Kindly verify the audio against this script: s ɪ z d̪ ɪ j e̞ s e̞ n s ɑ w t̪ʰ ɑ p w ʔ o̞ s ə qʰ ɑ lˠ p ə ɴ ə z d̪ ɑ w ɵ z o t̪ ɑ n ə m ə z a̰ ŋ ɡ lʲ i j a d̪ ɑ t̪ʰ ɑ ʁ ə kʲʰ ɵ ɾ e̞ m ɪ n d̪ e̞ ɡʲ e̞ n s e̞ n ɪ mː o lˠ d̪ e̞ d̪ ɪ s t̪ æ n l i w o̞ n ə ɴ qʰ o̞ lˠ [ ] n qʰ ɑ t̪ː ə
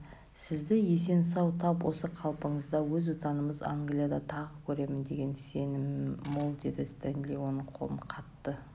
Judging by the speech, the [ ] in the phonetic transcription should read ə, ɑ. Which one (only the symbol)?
ə